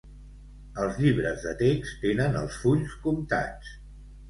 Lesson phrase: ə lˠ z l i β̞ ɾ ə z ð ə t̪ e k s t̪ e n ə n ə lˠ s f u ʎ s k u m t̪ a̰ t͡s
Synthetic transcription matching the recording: ə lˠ z ʎ i β̞ ɾ ə z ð ə t̪ e k s t̪ e n ə n ə lˠ s f u ʎ s k u m t̪ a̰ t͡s